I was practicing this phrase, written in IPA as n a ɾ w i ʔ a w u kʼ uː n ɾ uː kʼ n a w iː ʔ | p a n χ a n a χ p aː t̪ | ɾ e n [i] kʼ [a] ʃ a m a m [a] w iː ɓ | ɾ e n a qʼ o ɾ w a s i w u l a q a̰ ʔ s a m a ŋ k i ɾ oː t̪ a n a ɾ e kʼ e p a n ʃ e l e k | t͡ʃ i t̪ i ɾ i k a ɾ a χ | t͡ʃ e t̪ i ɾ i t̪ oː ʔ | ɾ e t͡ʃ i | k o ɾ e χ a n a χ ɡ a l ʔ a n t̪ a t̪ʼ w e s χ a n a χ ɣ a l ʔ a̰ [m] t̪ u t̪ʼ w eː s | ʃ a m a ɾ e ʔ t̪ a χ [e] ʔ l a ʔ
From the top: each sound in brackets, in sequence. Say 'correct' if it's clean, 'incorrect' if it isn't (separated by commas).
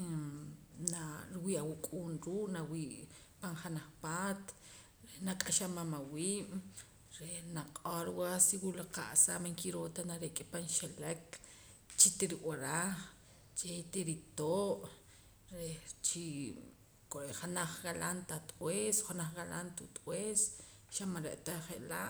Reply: incorrect, correct, correct, incorrect, correct